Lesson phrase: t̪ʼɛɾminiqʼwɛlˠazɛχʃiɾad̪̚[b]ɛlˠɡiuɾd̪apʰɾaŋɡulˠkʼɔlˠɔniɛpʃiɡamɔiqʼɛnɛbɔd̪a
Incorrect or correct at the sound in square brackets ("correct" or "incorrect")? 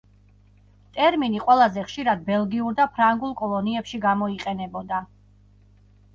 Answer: correct